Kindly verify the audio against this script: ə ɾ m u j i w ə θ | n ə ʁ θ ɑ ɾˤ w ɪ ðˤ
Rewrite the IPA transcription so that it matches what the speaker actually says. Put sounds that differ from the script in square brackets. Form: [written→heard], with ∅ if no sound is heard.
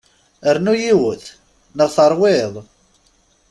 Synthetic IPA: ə ɾ [m→n] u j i w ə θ | n ə ʁ θ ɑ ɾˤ w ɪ ðˤ